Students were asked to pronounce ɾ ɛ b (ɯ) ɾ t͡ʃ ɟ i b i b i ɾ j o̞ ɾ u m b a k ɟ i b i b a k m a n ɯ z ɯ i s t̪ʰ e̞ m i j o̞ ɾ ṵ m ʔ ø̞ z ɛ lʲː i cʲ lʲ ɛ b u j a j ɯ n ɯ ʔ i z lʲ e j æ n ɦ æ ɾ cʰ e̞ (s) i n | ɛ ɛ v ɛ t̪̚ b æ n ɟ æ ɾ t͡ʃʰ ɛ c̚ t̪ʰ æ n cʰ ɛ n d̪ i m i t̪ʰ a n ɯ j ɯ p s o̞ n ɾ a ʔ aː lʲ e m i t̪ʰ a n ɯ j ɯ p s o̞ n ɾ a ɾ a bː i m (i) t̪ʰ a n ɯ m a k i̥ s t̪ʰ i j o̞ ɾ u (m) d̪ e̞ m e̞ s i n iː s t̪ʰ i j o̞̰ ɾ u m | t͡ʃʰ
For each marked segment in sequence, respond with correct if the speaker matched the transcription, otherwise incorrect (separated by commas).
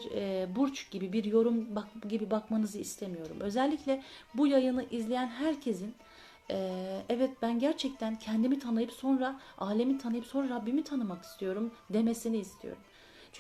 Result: incorrect, incorrect, correct, correct